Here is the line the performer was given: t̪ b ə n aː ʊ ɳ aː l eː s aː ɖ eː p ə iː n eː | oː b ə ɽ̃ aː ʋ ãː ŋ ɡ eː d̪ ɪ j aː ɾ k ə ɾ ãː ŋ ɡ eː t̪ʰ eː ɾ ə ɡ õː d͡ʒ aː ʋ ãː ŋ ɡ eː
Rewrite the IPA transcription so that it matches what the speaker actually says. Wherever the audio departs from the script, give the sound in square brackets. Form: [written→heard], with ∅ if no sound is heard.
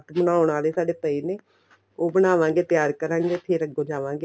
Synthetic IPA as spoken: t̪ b ə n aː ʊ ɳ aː l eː s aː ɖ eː p ə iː n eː | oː b ə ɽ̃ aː ʋ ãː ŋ ɡ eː [d̪→t̪] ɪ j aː ɾ k ə ɾ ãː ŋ ɡ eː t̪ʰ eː ɾ ə ɡ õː d͡ʒ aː ʋ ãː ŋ ɡ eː